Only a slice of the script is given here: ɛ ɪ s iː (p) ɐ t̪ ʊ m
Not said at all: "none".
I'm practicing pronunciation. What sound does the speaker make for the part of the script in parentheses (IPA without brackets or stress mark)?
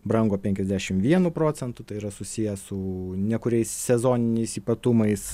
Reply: p